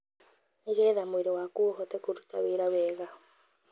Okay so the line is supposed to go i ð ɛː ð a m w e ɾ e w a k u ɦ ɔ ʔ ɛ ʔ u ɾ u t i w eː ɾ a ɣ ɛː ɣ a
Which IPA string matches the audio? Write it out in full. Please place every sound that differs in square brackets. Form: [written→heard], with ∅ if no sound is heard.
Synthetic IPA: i [ð→ɣ] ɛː ð a m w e ɾ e w a k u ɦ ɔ [ʔ→t] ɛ [ʔ→k] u ɾ u t [i→a] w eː ɾ a [ɣ→w] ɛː ɣ a